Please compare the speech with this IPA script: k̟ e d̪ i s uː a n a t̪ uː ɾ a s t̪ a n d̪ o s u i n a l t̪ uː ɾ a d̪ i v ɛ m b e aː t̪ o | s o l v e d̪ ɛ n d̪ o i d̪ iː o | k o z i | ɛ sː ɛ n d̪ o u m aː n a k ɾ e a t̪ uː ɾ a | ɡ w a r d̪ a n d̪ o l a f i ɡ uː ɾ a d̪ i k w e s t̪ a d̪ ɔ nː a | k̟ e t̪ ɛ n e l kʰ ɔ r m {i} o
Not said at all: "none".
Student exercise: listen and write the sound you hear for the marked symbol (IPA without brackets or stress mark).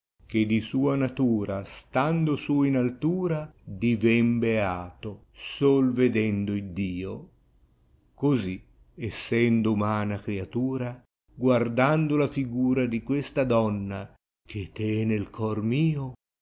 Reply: iː